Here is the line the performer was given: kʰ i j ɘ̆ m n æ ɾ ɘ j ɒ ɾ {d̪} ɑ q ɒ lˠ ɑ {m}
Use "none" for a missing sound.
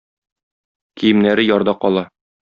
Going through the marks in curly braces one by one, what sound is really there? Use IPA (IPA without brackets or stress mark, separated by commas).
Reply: d̪, none